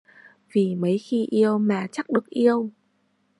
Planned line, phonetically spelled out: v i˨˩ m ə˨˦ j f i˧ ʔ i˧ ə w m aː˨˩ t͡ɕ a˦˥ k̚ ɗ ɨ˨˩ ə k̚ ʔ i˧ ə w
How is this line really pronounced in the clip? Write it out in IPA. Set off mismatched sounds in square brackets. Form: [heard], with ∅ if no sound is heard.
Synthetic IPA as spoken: v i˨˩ m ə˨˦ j [x] i˧ ʔ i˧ ə w m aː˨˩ t͡ɕ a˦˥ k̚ ɗ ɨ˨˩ ə k̚ ʔ i˧ ə w